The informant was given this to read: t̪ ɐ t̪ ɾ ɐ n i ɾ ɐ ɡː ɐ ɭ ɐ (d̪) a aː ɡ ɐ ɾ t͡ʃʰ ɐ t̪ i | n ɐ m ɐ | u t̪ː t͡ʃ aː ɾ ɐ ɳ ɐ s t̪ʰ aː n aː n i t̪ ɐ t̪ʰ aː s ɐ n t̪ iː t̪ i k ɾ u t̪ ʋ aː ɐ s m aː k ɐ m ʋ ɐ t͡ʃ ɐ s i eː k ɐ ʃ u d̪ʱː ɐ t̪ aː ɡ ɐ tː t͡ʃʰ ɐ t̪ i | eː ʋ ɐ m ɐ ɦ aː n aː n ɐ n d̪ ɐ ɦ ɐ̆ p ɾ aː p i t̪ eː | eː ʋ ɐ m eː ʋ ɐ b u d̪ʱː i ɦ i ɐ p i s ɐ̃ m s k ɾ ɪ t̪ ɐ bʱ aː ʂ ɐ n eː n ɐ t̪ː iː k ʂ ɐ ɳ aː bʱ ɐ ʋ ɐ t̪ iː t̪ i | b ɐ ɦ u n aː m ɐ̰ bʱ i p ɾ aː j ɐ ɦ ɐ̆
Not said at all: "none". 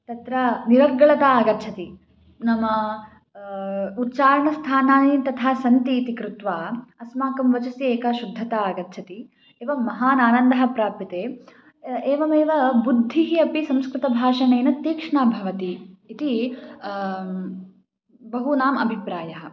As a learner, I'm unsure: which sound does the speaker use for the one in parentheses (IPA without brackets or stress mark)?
t̪